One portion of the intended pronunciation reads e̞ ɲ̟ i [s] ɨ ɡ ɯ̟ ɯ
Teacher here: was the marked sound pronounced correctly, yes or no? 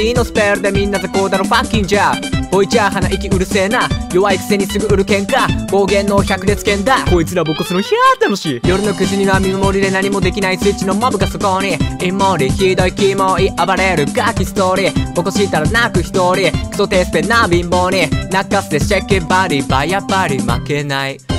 yes